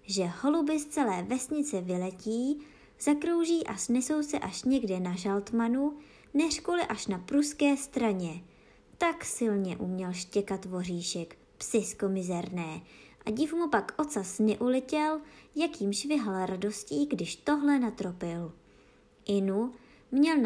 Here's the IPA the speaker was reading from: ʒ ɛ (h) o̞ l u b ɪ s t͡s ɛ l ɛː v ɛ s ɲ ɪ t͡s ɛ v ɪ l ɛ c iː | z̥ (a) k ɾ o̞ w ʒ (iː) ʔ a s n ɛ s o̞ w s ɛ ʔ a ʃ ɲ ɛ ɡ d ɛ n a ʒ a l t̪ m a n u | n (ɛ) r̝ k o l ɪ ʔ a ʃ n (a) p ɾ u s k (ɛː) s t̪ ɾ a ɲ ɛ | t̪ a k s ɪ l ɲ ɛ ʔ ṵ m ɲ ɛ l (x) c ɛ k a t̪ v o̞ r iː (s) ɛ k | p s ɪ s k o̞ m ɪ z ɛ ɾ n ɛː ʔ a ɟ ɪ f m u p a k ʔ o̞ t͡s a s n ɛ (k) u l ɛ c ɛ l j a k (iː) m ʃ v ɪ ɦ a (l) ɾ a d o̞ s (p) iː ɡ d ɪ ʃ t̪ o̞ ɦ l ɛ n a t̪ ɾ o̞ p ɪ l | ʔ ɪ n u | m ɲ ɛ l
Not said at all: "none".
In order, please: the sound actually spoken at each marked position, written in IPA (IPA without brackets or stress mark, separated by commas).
h, a, iː, ɛ, a, ɛː, ʃ, ʃ, ʔ, iː, l, c